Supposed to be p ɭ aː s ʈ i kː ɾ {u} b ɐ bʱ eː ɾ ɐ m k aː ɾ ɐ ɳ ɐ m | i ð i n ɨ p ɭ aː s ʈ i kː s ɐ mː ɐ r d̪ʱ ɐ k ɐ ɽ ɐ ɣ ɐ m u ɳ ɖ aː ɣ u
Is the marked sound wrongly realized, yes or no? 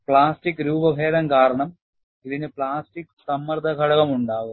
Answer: yes